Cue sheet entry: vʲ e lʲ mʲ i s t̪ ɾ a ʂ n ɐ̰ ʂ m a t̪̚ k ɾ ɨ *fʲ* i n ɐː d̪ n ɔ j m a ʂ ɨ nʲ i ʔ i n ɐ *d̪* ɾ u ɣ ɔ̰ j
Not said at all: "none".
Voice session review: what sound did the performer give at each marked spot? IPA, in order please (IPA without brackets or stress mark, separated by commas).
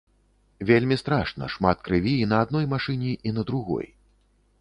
vʲ, d̪